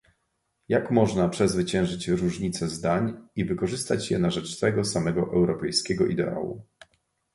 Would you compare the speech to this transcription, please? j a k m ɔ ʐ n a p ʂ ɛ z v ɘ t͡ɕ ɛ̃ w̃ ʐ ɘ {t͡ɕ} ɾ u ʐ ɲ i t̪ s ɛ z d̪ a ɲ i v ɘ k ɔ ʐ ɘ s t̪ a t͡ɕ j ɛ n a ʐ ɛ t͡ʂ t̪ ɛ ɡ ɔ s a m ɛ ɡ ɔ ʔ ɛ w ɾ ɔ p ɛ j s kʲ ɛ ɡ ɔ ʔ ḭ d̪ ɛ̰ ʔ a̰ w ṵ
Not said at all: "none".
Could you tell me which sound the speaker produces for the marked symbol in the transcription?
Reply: t͡ɕ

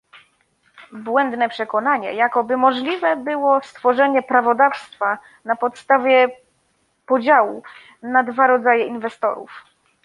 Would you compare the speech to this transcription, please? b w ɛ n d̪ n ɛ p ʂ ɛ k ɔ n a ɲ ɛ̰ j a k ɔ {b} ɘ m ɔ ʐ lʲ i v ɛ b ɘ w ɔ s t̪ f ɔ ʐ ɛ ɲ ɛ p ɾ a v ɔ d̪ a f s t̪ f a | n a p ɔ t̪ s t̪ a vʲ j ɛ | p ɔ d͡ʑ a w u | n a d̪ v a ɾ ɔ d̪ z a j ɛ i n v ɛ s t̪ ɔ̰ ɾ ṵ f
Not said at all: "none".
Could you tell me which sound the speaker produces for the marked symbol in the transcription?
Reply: b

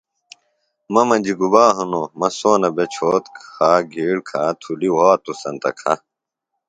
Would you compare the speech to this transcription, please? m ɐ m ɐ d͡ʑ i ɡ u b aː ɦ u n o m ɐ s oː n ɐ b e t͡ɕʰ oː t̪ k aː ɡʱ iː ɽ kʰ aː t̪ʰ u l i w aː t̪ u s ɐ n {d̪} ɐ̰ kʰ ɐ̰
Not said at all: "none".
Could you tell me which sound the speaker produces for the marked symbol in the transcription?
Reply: t̪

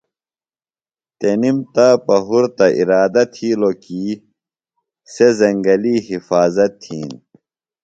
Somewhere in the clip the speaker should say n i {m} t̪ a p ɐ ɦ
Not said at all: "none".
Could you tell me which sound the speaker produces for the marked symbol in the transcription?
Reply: m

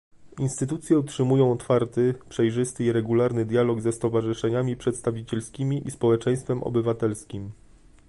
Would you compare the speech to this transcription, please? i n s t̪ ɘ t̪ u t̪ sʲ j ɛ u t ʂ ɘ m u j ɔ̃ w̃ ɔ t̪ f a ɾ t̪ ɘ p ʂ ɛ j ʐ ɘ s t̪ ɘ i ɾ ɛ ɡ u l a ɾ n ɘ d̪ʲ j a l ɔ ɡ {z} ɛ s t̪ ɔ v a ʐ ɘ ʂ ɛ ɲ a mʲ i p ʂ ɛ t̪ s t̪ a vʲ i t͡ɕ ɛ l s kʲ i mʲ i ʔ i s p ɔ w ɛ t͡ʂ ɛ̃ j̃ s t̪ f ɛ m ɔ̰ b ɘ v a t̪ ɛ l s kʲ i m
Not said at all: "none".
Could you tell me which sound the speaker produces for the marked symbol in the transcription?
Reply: z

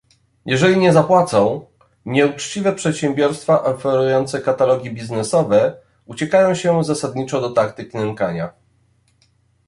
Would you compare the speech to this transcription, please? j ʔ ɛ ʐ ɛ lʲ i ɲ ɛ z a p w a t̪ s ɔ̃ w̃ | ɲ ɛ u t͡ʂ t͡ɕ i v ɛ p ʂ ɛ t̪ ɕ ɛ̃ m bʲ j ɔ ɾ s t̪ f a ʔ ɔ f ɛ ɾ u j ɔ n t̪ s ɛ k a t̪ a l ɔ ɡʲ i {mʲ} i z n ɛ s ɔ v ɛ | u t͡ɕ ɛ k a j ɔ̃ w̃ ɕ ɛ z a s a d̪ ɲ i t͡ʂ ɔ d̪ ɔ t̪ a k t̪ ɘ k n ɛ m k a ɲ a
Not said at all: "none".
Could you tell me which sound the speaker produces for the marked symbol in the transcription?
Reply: bʲ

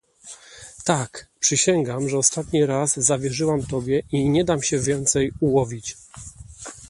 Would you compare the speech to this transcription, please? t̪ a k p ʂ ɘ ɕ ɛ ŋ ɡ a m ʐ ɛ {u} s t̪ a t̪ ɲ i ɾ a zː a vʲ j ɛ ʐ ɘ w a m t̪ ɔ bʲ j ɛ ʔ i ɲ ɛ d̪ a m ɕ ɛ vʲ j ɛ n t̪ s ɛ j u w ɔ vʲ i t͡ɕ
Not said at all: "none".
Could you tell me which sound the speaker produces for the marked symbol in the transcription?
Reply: ɔ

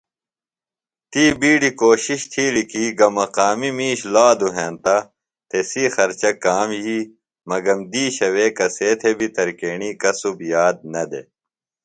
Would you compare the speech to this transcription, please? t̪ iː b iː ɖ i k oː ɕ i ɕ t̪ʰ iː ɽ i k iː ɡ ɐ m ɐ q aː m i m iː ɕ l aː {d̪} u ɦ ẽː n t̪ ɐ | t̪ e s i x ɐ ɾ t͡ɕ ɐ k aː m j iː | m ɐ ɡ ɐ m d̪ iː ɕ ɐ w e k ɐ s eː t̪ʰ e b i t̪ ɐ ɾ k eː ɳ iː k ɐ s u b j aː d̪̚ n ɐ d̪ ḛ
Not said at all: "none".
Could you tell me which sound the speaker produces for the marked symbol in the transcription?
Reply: d̪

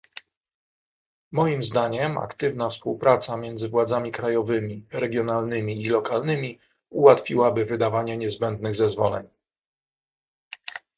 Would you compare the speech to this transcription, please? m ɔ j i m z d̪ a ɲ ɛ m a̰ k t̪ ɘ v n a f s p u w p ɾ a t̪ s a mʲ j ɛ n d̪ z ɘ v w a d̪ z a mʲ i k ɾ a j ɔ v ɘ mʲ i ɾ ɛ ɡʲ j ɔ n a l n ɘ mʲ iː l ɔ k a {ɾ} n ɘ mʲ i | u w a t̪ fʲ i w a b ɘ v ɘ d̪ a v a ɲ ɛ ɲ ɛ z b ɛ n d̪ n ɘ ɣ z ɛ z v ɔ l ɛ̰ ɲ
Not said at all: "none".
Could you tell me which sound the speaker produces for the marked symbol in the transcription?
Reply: l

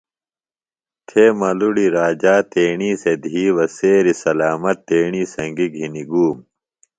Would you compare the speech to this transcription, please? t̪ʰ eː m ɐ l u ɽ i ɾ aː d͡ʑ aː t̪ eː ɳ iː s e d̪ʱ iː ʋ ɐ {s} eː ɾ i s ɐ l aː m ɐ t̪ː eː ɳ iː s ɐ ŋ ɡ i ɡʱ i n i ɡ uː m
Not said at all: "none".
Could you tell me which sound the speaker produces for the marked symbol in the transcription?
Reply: s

